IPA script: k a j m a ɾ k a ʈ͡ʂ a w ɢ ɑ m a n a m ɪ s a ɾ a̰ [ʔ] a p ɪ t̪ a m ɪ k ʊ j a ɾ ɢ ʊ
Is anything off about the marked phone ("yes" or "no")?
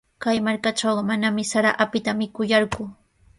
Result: no